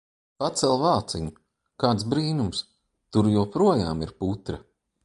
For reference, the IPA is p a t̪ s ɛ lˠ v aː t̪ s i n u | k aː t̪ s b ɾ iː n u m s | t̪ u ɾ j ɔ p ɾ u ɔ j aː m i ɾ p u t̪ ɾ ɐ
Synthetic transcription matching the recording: p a t̪ s ɛ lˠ v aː t̪ s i ɲ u | k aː t̪ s b ɾ iː n u m s | t̪ u ɾ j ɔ p ɾ u ɔ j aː m i ɾ p u t̪ ɾ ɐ